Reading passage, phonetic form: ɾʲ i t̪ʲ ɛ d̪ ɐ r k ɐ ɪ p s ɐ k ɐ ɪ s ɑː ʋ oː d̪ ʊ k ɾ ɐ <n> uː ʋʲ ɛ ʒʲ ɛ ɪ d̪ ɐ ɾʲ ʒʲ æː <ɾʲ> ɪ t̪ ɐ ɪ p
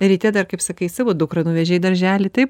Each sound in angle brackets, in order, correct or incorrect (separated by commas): correct, incorrect